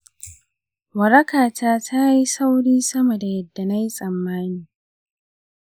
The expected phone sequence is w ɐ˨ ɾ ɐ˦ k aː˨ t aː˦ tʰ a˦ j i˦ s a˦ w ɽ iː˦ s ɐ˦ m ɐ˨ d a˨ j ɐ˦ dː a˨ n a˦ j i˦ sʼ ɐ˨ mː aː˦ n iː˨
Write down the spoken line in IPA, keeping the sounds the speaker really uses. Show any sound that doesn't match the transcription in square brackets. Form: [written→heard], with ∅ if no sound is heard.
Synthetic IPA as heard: w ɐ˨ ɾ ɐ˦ k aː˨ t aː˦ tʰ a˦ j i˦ s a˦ w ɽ iː˦ s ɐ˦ m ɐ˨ d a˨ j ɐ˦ dː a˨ n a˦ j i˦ sʼ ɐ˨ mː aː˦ n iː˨